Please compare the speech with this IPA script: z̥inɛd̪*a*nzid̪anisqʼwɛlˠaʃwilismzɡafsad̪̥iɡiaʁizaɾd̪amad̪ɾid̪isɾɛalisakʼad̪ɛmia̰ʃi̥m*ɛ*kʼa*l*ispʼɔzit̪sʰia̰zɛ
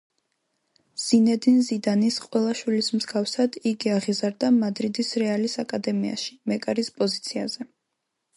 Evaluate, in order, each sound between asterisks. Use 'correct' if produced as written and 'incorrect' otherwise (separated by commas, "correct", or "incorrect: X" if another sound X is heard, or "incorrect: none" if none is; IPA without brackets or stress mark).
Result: incorrect: i, correct, incorrect: ɾ